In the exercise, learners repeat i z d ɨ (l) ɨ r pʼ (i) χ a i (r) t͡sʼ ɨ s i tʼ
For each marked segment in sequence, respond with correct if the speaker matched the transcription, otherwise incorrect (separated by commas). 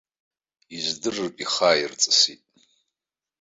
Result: incorrect, correct, correct